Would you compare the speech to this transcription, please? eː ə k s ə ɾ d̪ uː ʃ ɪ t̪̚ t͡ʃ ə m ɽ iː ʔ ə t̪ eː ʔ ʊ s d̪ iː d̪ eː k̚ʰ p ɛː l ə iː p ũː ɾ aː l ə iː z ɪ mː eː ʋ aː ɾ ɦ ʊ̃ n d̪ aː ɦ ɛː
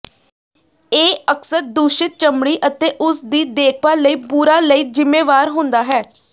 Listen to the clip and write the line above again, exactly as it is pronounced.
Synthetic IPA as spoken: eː ə k s ə ɾ d̪ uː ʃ ɪ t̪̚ t͡ʃ ə m ɽ iː ʔ ə t̪ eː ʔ ʊ s d̪ iː d̪ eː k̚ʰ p aː l ə iː p uː ɾ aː l ə iː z ɪ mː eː ʋ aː ɾ ɦ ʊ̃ n d̪ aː ɦ ɛː